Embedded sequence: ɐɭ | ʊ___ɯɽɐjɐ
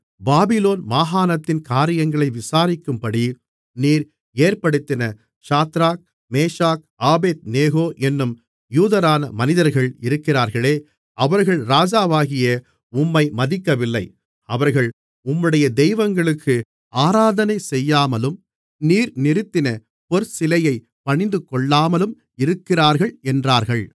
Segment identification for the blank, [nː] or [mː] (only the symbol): mː